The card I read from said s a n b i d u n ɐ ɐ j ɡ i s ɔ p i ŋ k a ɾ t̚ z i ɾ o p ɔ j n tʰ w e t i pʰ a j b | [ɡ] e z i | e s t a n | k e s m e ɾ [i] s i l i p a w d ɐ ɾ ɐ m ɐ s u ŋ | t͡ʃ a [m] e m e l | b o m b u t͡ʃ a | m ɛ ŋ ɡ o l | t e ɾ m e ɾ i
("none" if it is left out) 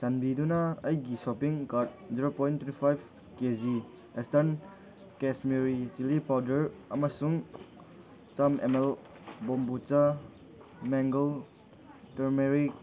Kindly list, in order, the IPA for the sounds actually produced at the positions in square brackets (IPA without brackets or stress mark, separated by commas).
k, i, m